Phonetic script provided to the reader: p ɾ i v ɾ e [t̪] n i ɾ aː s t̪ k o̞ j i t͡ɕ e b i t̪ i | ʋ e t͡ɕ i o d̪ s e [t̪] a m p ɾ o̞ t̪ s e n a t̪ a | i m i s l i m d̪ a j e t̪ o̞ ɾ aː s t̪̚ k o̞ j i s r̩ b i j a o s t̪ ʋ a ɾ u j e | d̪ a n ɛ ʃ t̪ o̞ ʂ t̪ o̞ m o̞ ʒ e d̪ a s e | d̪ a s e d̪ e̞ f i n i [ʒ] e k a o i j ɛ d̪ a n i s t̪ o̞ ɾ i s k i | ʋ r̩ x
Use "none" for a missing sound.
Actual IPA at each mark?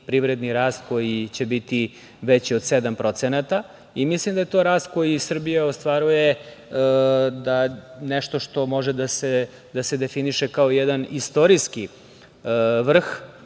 d̪, d̪, ʃ

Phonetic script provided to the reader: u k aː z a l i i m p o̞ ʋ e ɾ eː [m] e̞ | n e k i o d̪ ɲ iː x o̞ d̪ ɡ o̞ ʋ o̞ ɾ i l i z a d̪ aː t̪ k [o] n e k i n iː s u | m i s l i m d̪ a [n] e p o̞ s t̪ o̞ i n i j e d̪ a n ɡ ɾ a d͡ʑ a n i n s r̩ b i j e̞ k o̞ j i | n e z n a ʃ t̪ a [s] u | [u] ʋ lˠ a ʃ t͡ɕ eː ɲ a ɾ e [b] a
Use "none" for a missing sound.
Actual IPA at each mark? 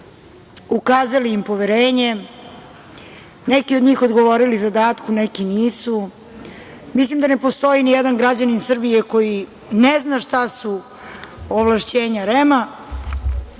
ɲ, u, n, s, o, m

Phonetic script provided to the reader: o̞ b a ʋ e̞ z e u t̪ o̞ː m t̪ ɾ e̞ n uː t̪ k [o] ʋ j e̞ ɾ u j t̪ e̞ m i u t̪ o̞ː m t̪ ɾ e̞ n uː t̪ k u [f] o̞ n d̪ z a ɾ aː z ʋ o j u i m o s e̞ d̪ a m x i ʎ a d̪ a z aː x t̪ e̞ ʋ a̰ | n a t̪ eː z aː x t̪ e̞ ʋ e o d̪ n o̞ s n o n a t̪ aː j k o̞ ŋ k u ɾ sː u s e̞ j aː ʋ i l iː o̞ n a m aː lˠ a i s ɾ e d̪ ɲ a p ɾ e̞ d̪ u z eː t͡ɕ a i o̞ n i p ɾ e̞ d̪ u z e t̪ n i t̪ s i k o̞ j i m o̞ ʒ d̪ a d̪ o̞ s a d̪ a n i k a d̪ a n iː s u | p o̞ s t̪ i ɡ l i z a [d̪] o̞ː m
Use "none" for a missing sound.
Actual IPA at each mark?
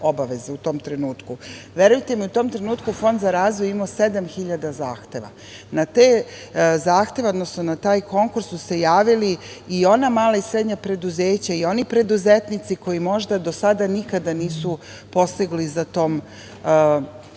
u, f, t̪

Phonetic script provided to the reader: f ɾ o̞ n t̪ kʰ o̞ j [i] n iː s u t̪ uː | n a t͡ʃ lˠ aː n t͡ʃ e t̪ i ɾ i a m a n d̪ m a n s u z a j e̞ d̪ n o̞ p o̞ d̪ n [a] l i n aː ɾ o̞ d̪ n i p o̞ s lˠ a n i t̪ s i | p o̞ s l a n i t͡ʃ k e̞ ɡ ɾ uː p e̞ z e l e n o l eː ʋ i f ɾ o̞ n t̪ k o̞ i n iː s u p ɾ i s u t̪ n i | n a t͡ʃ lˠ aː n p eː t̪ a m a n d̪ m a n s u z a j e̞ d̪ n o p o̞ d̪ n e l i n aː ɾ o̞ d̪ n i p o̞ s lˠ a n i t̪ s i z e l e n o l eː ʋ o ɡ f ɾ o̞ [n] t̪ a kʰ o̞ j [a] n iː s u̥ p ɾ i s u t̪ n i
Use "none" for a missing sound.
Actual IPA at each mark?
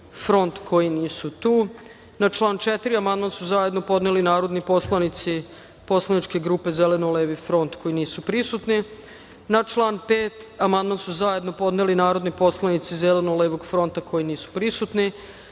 i, e, n, i

